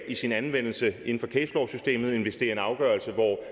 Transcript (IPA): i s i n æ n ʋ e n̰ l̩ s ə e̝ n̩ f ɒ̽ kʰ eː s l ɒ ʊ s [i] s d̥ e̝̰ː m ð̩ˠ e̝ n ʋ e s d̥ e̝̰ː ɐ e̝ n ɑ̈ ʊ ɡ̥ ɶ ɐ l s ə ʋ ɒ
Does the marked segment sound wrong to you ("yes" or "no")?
yes